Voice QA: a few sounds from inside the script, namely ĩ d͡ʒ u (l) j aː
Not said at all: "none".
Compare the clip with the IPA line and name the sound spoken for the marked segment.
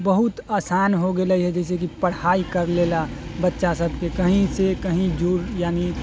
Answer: ɾ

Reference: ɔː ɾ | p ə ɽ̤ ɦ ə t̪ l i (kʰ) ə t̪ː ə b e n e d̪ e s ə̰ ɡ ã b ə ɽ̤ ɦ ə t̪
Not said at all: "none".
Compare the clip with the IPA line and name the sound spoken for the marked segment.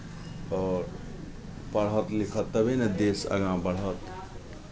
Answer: kʰ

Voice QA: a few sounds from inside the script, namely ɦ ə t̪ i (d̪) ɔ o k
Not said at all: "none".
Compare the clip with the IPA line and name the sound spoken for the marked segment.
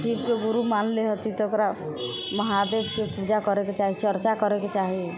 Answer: t̪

